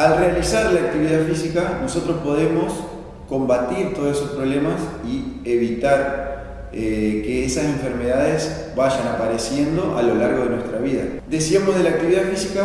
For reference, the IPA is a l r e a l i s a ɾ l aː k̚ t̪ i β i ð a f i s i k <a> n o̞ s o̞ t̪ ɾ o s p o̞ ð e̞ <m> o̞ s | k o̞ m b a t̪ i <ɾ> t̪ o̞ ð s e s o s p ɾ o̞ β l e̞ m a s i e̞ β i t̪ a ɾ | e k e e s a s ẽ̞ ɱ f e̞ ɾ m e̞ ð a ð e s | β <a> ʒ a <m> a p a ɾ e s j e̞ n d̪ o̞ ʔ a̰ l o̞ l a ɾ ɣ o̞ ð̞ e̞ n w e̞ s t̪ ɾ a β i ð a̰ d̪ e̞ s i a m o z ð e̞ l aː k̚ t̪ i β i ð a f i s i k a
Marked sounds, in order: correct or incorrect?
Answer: correct, correct, correct, correct, incorrect: n

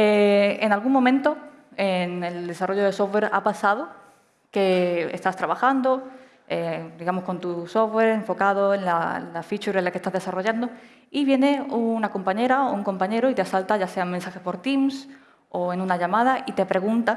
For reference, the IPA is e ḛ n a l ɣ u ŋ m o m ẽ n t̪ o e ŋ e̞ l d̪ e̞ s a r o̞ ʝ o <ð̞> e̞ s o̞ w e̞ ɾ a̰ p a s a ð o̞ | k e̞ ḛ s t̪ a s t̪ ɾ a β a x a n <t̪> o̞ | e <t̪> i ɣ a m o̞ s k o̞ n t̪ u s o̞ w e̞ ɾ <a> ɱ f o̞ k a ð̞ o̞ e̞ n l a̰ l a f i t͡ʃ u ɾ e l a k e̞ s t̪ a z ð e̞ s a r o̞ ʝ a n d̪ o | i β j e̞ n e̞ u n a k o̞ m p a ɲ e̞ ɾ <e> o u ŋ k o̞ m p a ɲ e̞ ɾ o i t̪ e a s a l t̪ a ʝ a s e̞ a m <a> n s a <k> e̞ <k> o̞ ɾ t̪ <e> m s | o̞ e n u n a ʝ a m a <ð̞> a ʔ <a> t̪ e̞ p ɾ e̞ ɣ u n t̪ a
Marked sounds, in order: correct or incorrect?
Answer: correct, incorrect: d̪, incorrect: d̪, incorrect: e, incorrect: a, incorrect: e, incorrect: x, incorrect: p, incorrect: i, correct, incorrect: i

